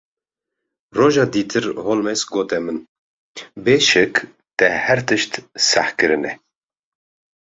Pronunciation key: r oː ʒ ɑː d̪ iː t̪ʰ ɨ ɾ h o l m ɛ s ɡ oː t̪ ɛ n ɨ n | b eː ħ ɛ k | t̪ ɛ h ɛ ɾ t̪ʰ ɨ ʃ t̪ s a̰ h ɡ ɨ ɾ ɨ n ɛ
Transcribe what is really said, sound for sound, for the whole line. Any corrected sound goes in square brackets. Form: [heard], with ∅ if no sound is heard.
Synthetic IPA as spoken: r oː ʒ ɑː d̪ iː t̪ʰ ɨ ɾ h o l m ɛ s ɡ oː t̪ ɛ [m] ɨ n | b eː [ʃ] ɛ k | t̪ ɛ h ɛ ɾ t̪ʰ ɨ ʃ t̪ s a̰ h [k] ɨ ɾ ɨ n ɛ